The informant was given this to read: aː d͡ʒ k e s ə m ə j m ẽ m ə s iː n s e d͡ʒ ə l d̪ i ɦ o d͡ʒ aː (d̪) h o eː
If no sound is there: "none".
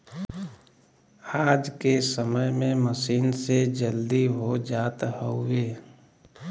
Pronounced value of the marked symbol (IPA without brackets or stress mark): t̪